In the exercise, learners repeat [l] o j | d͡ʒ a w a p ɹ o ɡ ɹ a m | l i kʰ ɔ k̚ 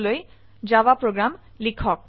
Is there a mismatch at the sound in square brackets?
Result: no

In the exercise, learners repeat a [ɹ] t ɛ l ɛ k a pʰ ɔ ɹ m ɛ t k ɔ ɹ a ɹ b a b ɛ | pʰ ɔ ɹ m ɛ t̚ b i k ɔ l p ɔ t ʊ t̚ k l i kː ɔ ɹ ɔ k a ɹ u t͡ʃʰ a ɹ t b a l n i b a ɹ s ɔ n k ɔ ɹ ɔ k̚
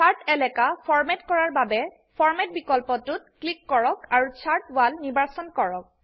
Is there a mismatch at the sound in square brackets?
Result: no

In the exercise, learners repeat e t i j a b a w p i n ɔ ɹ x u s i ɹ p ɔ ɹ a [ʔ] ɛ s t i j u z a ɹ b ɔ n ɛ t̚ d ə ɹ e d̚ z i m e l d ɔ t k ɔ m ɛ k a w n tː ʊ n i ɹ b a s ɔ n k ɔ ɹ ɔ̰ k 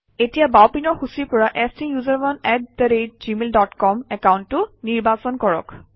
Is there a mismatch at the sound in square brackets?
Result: no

